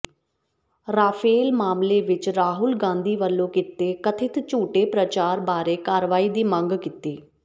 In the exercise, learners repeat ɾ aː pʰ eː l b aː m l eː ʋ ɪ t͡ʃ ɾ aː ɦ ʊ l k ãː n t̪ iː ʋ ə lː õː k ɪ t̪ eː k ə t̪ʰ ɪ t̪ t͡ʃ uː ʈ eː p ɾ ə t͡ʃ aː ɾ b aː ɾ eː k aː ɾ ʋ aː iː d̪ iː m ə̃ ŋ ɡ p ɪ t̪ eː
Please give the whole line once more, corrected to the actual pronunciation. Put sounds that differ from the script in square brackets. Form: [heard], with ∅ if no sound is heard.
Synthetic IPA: ɾ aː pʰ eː l [m] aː m l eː ʋ ɪ t͡ʃ ɾ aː ɦ ʊ l [ɡ] ãː n [d̪] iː ʋ ə lː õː k ɪ t̪ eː k ə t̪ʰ ɪ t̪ t͡ʃ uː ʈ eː p ɾ ə t͡ʃ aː ɾ b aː ɾ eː k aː ɾ ʋ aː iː d̪ iː m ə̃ ŋ ɡ [k] ɪ t̪ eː